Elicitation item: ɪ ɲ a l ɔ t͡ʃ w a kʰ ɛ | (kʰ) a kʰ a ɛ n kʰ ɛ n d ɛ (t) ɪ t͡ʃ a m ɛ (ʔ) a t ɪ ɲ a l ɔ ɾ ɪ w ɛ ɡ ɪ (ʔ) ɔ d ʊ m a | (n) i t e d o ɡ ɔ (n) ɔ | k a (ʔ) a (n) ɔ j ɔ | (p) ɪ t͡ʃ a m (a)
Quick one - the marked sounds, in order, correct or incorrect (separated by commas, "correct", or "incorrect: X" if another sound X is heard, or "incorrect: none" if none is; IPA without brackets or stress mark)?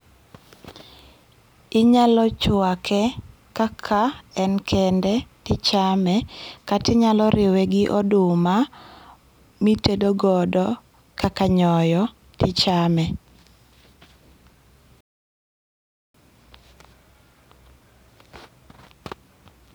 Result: incorrect: k, correct, incorrect: k, correct, incorrect: m, incorrect: d, incorrect: k, incorrect: ɲ, incorrect: t, incorrect: ɛ